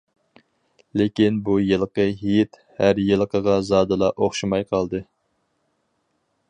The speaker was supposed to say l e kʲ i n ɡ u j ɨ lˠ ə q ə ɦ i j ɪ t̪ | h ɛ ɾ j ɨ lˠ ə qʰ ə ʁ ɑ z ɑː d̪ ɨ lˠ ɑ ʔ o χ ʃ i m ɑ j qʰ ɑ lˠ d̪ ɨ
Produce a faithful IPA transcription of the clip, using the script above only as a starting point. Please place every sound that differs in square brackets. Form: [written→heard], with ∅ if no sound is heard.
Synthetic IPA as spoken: l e kʲ i n [ɡ→b] u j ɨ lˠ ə q ə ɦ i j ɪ t̪ | h [ɛ→æ] ɾ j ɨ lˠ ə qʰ ə ʁ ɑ z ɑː d̪ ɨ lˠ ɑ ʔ o χ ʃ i m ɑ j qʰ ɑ lˠ d̪ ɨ